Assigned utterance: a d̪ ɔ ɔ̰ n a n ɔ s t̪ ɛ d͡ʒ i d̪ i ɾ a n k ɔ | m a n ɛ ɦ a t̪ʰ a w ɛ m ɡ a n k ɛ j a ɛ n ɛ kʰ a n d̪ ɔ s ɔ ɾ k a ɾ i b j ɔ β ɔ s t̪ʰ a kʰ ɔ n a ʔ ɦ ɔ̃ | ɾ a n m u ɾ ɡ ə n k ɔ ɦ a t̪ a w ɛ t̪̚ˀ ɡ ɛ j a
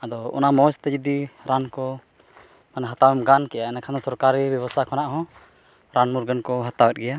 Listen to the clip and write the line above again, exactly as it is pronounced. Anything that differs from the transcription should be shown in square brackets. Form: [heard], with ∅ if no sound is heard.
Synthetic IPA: a d̪ ɔ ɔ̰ n a [m] ɔ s t̪ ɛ d͡ʒ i d̪ i ɾ a n k ɔ | m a n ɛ ɦ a [t̪] a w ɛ m ɡ a n k ɛ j a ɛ n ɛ kʰ a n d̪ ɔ s ɔ ɾ k a ɾ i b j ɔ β ɔ s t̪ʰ a kʰ ɔ n a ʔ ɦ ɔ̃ | ɾ a n m u ɾ ɡ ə n k ɔ ɦ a t̪ a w ɛ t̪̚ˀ ɡ ɛ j a